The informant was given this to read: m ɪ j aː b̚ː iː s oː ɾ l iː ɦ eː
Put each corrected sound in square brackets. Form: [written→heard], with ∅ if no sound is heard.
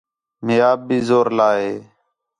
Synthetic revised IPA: m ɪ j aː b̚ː iː [s→z] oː ɾ l [iː→aː] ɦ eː